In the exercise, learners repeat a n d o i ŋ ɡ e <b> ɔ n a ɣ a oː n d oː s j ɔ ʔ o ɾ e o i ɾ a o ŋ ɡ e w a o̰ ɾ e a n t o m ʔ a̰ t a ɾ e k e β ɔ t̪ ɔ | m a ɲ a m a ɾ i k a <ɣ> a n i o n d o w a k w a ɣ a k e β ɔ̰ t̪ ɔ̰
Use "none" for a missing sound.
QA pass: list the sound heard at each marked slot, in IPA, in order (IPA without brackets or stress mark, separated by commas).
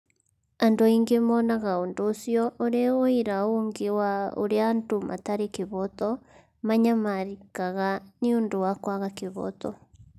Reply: m, ɣ